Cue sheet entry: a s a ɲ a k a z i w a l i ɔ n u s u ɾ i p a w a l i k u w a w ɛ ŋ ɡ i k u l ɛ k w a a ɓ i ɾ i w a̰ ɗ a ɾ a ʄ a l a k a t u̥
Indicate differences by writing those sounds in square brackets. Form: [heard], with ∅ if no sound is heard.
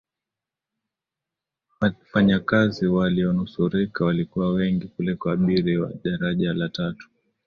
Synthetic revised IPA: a [f] a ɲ a k a z i w a l i ɔ n u s u ɾ i [k] a w a l i k u w a w ɛ ŋ ɡ i k u l ɛ k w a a ɓ i ɾ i w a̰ ɗ a ɾ a ʄ a l a [t] a t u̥